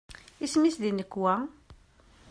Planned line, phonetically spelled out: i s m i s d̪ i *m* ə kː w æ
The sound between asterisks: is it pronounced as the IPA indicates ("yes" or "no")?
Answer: no